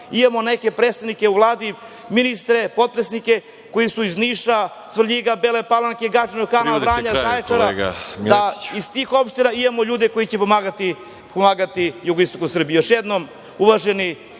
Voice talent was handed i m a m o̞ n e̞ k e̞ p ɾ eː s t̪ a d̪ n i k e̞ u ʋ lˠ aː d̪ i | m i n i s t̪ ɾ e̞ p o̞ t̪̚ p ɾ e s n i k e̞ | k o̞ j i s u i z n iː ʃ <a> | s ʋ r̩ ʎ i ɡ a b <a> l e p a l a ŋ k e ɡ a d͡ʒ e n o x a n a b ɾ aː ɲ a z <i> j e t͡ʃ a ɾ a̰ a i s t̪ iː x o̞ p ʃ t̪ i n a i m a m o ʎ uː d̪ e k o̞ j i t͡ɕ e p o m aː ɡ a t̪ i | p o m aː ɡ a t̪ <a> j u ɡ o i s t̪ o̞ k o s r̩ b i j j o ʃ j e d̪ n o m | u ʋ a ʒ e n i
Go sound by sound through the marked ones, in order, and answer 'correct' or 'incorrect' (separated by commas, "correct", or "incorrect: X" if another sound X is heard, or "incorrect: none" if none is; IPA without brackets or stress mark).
correct, incorrect: e, incorrect: a, incorrect: i